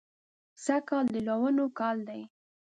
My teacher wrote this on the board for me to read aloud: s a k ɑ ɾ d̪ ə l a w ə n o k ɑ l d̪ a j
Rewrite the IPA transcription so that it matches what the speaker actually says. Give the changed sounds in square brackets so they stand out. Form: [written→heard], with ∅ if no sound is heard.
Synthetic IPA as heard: s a k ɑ [ɾ→l] d̪ ə l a w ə n o k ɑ l d̪ a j